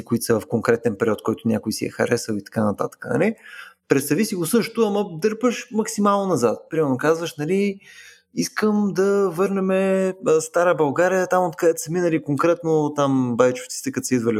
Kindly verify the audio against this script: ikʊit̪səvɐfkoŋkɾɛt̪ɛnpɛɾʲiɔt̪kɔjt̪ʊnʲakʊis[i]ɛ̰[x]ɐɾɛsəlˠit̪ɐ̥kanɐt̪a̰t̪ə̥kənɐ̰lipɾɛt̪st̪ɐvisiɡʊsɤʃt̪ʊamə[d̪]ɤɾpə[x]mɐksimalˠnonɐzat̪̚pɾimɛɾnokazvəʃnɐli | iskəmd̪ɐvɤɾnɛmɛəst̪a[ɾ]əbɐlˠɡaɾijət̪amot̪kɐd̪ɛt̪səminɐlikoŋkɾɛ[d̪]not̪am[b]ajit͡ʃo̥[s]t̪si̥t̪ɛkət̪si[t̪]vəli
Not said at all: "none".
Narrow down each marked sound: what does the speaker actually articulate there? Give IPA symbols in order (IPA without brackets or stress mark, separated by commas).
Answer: i, x, d̪, ʃ, ɾ, t̪, b, f, d̪